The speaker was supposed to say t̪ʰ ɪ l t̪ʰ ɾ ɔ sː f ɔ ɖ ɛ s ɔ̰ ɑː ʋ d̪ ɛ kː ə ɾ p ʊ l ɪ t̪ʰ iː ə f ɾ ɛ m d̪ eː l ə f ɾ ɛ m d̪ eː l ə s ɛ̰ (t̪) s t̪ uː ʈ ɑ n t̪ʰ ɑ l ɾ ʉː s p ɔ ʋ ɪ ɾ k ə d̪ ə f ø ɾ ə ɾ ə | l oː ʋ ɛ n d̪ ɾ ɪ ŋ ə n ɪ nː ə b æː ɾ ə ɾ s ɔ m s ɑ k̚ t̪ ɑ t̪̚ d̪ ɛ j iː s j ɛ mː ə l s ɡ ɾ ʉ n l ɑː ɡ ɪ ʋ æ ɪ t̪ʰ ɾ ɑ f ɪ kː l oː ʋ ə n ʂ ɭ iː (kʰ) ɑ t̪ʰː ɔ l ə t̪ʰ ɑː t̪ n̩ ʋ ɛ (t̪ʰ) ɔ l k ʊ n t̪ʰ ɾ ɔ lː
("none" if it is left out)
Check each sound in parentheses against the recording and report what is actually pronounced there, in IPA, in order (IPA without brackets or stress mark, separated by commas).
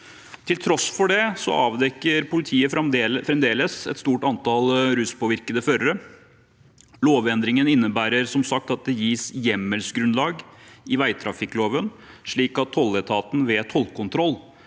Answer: t̪, k, t̪ʰ